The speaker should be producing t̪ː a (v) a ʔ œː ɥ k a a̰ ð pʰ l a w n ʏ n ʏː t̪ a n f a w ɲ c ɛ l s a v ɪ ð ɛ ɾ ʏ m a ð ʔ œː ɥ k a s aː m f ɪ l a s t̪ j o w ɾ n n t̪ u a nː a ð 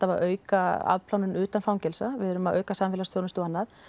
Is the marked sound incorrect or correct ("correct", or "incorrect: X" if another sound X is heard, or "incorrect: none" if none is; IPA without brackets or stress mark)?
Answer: correct